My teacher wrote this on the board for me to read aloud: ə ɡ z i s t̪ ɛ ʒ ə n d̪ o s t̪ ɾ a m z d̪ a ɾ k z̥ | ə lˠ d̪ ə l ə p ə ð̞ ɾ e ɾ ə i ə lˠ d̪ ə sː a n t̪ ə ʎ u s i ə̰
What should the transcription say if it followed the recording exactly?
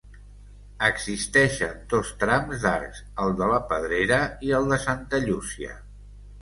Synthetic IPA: ə ɡ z i s t̪ ɛ ʃ ə n d̪ o s t̪ ɾ a m z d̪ a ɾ k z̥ | ə lˠ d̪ ə l ə p ə ð̞ ɾ e ɾ ə i ə lˠ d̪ ə s a n t̪ ə ʎ u s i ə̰